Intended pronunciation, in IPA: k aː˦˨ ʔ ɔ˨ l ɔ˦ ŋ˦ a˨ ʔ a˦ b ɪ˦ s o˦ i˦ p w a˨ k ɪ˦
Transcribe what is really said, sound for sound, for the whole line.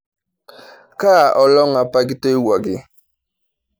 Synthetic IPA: k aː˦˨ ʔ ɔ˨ l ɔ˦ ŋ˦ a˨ p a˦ ɡ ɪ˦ t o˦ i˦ w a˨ ɡ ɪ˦